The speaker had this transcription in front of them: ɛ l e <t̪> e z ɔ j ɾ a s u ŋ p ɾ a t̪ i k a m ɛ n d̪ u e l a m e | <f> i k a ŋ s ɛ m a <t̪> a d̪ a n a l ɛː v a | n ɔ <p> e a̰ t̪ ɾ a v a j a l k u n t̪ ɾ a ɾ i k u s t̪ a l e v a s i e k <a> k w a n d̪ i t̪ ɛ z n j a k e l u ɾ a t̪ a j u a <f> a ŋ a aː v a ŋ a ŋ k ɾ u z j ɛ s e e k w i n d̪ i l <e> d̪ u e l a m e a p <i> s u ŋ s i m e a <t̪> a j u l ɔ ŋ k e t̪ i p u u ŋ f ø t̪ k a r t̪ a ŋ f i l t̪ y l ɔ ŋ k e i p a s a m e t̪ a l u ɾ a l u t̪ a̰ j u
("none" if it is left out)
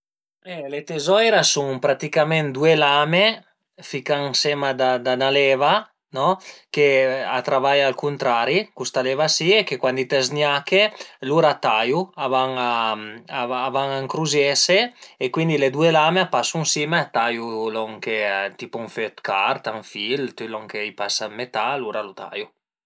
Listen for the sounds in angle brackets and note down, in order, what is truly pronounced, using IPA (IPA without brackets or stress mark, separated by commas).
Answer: t̪, f, d̪, k, e, v, e, a, t̪